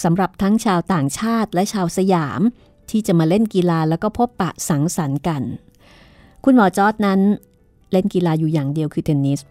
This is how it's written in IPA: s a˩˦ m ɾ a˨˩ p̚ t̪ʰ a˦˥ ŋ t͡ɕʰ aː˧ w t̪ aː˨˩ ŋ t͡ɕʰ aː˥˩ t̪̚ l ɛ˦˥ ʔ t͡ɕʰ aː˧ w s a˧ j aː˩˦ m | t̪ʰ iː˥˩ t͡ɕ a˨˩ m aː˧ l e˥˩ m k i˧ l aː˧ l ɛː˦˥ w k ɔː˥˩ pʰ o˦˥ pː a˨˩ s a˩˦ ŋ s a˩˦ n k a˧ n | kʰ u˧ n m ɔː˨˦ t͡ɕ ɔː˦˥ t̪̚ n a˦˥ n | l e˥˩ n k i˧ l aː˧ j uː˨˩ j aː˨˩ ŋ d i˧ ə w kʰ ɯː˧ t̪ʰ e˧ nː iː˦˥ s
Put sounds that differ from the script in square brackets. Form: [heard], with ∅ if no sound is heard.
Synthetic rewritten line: s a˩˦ m ɾ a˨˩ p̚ t̪ʰ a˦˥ ŋ t͡ɕʰ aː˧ w t̪ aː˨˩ ŋ t͡ɕʰ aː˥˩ t̪̚ l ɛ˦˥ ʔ t͡ɕʰ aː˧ w s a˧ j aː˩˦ m | t̪ʰ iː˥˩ t͡ɕ a˨˩ m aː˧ l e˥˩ [n] k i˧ l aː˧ l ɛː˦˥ w k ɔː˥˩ pʰ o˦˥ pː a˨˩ s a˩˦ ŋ s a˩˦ n k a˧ n | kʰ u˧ n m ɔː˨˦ t͡ɕ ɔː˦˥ t̪̚ n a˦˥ n | l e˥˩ n k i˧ l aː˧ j uː˨˩ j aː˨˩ ŋ d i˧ ə w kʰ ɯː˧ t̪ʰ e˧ nː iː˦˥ s